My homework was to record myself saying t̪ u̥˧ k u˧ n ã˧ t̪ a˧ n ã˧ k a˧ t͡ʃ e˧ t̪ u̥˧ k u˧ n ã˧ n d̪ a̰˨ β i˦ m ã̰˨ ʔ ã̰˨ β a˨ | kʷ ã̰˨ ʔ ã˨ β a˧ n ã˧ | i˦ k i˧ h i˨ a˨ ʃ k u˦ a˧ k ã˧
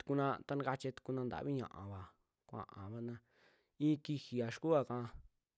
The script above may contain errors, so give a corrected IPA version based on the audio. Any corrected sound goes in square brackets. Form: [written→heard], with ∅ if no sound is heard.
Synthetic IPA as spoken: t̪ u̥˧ k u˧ n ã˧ t̪ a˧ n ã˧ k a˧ t͡ʃ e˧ t̪ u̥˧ k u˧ n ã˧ n d̪ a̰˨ β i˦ [m→ɲ] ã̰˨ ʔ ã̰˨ β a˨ | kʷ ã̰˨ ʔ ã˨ β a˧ n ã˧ | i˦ k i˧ h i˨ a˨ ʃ k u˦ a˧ k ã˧